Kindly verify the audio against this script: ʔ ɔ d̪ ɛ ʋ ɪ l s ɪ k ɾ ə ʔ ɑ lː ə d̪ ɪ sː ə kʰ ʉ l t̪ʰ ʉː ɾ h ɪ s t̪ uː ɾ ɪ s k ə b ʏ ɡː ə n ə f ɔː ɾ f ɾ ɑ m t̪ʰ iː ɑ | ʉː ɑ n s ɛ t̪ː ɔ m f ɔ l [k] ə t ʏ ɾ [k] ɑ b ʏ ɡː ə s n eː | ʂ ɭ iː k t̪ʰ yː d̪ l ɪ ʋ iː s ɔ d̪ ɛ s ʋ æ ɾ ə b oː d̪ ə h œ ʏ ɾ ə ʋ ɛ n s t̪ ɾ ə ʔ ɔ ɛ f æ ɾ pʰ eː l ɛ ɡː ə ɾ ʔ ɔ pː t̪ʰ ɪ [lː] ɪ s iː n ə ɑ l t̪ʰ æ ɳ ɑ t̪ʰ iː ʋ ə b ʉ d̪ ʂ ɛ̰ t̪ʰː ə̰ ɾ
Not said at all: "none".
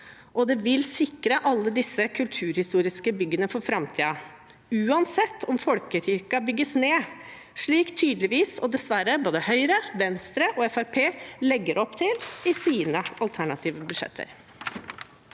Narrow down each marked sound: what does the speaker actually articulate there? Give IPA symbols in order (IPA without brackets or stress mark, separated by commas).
k, k, l